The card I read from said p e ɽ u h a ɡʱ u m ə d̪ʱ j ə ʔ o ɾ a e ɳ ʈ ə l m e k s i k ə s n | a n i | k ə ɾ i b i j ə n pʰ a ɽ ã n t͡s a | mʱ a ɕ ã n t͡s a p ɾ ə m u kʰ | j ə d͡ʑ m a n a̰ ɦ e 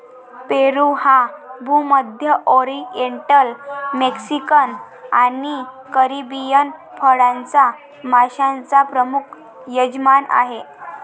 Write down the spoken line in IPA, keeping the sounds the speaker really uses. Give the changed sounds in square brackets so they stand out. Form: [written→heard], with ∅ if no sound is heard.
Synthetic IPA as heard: p e [ɽ→ɾ] u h a [ɡʱ→bʱ] u m ə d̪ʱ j ə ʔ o ɾ [a→i] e ɳ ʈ ə l m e k s i k ə [s→∅] n | a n i | k ə ɾ i b i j ə n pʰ [a→ə] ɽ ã n t͡s a | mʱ a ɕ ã n t͡s a p ɾ ə m u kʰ | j ə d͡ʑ m a n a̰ ɦ e